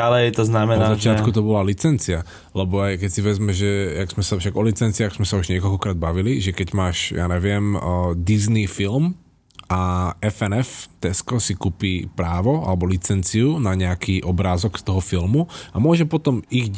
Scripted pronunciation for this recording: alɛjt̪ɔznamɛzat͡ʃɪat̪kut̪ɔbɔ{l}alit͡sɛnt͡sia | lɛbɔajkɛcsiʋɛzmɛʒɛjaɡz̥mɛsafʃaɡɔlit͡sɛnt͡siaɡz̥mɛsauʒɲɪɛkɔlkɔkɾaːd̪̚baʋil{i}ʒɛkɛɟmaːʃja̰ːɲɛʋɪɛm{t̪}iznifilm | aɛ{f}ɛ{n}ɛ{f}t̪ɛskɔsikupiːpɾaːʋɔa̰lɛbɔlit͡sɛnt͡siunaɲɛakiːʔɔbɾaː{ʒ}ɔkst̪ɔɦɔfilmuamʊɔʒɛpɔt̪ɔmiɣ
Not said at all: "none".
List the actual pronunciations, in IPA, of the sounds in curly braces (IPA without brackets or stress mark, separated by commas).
l, i, d̪, f, n, f, z